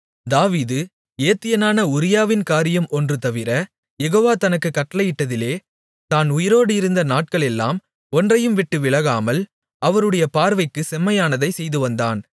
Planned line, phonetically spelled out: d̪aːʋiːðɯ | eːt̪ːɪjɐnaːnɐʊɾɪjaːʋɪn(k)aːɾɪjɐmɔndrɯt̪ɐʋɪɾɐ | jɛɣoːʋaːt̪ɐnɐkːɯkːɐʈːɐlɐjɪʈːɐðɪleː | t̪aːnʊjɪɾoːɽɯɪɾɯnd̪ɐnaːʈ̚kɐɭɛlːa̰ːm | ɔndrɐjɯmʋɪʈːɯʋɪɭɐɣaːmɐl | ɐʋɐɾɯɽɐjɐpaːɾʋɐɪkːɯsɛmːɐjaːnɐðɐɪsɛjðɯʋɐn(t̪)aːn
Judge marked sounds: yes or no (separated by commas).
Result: yes, no